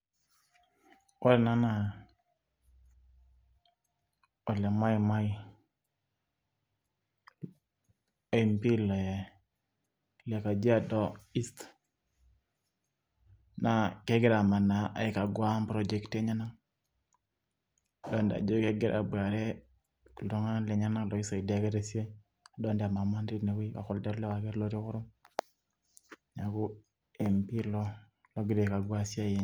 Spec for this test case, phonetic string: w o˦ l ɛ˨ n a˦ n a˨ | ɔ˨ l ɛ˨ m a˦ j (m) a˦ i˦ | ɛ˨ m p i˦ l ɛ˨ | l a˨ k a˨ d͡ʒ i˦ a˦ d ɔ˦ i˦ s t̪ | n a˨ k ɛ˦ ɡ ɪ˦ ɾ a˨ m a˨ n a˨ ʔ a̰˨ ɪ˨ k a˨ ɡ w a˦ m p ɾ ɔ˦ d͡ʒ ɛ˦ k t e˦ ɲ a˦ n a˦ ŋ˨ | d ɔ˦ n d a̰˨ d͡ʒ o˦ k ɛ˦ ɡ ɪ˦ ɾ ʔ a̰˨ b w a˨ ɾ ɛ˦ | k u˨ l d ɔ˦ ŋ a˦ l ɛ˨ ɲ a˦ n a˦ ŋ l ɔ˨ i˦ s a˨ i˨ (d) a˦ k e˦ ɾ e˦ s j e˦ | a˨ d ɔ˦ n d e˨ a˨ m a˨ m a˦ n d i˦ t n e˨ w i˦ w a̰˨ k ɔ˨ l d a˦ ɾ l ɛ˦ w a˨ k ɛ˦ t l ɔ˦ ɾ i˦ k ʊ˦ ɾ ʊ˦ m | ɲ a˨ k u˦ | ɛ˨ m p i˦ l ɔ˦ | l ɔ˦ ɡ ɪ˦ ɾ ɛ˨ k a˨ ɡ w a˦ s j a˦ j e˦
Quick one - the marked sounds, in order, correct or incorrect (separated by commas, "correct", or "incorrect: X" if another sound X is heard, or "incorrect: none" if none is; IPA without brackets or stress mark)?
correct, correct